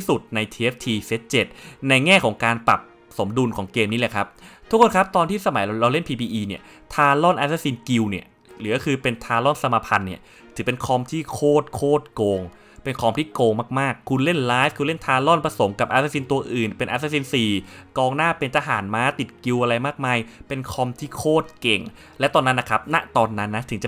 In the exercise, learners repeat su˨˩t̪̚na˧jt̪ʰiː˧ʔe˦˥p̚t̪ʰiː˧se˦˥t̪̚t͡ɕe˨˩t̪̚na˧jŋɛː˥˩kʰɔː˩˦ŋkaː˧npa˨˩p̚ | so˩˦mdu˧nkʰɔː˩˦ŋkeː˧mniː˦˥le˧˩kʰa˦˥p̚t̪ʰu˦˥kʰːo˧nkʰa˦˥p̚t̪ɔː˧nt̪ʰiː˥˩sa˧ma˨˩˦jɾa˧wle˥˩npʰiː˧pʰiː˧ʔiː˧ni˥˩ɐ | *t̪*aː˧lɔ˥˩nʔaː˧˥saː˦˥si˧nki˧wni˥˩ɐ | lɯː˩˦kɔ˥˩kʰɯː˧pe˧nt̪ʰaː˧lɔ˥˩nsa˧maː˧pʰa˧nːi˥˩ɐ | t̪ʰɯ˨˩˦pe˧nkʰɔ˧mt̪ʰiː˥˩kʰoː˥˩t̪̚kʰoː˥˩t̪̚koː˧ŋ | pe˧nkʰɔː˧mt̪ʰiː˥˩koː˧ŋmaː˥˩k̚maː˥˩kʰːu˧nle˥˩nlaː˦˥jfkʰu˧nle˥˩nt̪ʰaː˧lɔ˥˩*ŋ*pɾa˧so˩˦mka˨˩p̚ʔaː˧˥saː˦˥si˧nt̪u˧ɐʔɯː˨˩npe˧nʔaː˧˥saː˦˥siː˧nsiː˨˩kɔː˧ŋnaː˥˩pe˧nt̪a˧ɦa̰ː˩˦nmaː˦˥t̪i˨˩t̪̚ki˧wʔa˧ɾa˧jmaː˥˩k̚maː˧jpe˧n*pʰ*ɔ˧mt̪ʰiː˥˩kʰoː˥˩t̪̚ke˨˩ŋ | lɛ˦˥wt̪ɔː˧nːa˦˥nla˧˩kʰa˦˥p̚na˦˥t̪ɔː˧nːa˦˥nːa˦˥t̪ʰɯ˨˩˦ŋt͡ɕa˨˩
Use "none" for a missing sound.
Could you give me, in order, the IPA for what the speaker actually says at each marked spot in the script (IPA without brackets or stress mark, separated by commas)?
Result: t̪ʰ, n, kʰ